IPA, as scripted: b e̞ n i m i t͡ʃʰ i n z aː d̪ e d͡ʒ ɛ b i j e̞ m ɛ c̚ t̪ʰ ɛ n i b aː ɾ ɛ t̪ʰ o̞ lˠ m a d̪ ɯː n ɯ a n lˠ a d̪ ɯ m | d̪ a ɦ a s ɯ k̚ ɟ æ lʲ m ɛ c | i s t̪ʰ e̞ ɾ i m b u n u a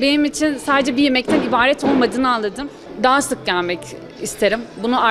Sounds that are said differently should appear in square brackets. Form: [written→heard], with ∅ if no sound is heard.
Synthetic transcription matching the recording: b e̞ n i m i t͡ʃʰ i n [z→s] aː d̪ e d͡ʒ ɛ b i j e̞ m ɛ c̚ t̪ʰ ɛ n i b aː ɾ ɛ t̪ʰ o̞ lˠ m a d̪ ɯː n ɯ a n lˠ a d̪ ɯ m | d̪ a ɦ a s ɯ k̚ ɟ æ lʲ m ɛ c | i s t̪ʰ e̞ ɾ i m b u n u a